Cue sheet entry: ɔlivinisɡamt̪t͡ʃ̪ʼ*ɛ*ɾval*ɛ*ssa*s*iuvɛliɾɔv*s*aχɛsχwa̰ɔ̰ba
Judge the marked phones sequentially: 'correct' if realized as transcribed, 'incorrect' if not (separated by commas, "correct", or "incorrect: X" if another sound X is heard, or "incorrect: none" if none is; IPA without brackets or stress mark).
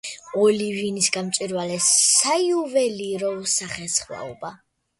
incorrect: i, correct, incorrect: none, correct